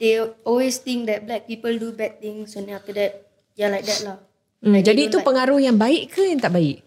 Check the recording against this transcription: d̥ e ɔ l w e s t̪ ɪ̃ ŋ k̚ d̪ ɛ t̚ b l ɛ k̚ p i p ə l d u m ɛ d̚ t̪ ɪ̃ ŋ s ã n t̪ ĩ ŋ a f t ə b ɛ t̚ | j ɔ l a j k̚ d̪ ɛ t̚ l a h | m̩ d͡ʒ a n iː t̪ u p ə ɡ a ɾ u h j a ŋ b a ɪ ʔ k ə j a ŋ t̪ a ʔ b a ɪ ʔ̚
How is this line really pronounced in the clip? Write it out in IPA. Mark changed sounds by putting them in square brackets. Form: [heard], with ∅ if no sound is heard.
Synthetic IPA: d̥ e ɔ l w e s t̪ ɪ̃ ŋ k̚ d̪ ɛ t̚ b l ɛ k̚ p i p ə l d u [b] ɛ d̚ t̪ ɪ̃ ŋ s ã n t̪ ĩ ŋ a f t ə [d] ɛ t̚ | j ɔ l a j k̚ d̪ ɛ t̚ l a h | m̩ d͡ʒ a [d] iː t̪ u p ə [ŋ] a ɾ u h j a ŋ b a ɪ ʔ k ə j a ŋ t̪ a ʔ b a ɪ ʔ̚